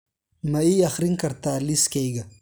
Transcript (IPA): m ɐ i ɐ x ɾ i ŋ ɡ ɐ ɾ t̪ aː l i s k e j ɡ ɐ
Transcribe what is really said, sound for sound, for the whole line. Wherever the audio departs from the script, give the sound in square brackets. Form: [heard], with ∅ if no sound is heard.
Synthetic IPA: m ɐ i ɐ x ɾ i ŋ [k] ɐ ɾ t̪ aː l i s k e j ɡ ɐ